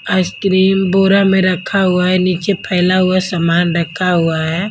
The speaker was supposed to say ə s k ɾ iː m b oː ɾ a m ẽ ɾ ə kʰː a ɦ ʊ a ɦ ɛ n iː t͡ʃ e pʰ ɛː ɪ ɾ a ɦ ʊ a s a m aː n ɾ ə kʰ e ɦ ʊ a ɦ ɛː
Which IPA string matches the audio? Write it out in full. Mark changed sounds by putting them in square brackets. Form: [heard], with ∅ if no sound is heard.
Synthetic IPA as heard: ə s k ɾ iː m b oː ɾ a m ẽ ɾ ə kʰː a ɦ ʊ a ɦ ɛ n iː t͡ʃ e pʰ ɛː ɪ [l] a ɦ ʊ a s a m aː n ɾ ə kʰ [a] ɦ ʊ a ɦ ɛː